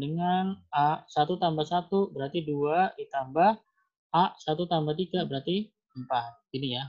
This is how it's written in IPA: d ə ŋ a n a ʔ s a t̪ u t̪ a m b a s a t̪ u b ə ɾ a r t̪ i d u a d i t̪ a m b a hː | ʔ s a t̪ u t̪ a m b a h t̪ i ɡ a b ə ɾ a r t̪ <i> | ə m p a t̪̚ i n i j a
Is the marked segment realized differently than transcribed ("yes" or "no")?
no